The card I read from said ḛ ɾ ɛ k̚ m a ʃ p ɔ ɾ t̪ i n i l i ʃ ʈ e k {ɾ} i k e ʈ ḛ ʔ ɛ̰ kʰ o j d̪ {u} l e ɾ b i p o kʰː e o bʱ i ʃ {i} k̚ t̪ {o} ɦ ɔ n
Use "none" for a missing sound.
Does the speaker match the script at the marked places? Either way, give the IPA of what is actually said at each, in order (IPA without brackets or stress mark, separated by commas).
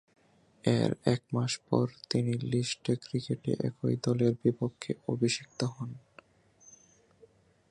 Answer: ɾ, ɔ, i, o